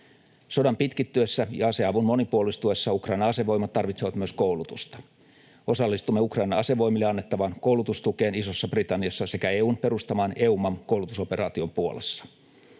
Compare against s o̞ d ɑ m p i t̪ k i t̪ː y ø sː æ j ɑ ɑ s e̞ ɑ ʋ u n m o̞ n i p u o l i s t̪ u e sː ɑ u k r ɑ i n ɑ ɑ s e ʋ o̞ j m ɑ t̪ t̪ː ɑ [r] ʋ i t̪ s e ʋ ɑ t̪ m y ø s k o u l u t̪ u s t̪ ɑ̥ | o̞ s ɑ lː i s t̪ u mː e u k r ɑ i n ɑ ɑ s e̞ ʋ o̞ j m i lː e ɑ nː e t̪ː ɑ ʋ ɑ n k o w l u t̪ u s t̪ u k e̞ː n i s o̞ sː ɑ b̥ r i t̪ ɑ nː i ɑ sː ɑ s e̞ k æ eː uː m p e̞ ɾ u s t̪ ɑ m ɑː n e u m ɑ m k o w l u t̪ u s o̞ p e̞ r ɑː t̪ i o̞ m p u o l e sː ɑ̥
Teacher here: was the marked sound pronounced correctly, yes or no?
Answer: yes